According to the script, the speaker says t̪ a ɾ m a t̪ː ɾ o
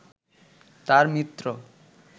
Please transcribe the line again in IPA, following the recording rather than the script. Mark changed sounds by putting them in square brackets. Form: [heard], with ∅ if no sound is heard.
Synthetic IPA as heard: t̪ a ɾ m [i] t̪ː ɾ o